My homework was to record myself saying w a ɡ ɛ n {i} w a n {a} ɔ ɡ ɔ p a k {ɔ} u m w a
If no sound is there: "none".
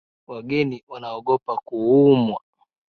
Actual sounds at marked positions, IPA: i, a, u

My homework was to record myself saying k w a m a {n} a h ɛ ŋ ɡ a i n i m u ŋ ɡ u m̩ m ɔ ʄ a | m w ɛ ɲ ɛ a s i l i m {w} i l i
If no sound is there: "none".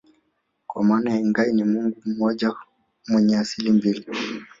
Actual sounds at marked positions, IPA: n, b

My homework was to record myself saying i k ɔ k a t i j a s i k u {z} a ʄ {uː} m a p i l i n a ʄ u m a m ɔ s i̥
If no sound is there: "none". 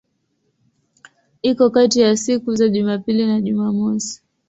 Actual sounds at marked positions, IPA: z, u

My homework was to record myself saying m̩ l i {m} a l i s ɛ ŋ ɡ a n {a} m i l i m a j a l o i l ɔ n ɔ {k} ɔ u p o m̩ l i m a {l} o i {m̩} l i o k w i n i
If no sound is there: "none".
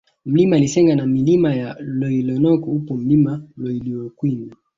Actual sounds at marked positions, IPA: m, a, k, l, none

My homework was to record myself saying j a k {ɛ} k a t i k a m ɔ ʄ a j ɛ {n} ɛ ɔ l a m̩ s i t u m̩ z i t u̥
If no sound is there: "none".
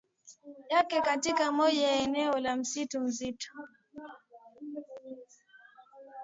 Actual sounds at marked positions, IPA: ɛ, n

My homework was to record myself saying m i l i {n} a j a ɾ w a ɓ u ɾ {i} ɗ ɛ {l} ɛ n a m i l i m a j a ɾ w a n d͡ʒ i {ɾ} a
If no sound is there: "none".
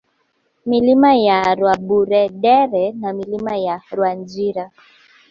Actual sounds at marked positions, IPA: m, ɛ, ɾ, ɾ

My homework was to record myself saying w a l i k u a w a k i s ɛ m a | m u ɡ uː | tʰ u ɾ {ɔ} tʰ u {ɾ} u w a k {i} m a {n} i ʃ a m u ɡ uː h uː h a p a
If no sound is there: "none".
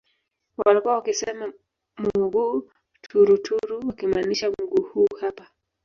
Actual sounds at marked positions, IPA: u, ɾ, i, n

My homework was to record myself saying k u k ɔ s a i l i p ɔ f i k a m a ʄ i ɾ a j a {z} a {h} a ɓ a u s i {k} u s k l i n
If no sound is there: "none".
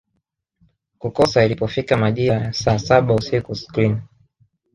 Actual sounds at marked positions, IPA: s, s, k

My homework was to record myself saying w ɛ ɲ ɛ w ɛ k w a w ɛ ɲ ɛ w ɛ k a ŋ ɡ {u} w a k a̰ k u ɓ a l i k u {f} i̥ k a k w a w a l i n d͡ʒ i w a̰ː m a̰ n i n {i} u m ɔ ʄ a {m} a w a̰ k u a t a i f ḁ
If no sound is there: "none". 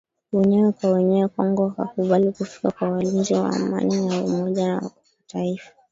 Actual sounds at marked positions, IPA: ɔ, f, a, n

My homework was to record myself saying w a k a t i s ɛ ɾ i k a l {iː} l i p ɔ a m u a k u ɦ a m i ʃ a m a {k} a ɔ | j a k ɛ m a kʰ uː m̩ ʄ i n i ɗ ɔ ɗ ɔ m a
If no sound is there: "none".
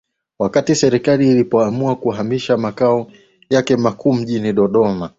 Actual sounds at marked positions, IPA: iː, k

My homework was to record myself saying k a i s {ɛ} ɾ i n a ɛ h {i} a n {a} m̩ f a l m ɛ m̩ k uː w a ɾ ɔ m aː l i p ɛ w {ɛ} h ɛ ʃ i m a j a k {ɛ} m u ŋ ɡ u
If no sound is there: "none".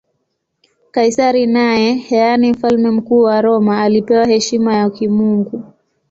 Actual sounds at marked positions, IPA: a, ɛ, i, a, i

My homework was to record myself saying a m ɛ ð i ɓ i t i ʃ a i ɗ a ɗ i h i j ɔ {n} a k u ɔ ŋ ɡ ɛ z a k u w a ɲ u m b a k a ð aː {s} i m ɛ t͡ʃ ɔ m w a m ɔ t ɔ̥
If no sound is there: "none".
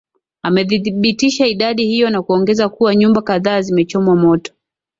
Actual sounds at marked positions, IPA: n, z

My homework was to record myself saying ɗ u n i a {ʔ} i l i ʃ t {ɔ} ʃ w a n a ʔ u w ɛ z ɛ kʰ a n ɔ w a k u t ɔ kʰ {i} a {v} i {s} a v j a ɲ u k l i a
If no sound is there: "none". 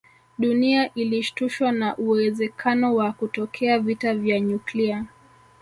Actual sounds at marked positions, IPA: ʔ, u, ɛ, v, t

